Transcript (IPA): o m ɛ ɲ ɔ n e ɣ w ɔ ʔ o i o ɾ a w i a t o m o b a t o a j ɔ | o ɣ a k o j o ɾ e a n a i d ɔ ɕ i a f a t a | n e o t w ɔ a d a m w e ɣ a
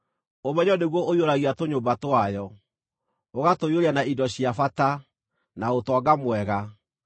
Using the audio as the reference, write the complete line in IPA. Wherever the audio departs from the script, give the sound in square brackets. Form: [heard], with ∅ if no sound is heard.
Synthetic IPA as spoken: o m ɛ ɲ ɔ n e ɣ w ɔ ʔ o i o ɾ a [ɣ] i a t o [ɲ] o b a t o a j ɔ | o ɣ a [t] o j o ɾ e a n a i d ɔ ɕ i a f a t a | n [a] o t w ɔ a [ɡ] a m w [ɛ] ɣ a